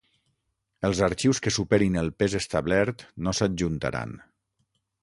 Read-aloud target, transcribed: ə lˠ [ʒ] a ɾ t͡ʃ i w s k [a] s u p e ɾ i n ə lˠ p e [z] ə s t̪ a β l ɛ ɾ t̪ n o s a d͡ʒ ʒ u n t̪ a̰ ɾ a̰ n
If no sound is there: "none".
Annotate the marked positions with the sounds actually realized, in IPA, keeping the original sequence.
z, ə, z

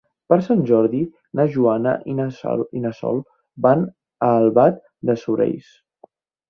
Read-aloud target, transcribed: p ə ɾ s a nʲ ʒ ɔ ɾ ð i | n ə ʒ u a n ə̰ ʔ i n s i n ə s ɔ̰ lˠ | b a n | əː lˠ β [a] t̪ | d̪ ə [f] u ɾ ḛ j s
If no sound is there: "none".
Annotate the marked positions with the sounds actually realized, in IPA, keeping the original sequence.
a, s

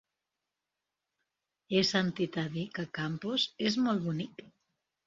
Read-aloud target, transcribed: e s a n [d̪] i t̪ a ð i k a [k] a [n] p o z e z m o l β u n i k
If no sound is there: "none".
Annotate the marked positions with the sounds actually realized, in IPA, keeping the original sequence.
t̪, k, m

